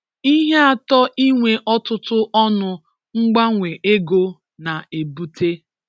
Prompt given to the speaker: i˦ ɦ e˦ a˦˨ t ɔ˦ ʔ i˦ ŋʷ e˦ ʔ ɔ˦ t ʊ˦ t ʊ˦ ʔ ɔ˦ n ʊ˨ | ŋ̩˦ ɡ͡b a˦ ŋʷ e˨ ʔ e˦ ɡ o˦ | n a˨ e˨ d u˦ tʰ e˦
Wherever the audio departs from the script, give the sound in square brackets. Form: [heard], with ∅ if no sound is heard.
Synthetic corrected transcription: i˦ ɦ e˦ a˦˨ t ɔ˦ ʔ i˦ ŋʷ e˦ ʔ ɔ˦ t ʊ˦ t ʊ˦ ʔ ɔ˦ n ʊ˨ | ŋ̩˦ ɡ͡b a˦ ŋʷ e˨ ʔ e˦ ɡ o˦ | n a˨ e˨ [b] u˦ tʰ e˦